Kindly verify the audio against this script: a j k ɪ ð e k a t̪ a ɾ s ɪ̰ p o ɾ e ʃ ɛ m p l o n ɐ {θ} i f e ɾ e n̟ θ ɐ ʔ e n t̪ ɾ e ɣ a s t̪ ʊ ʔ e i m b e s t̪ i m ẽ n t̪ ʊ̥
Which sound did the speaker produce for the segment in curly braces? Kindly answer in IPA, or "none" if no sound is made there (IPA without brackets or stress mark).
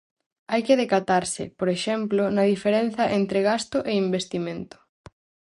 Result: ð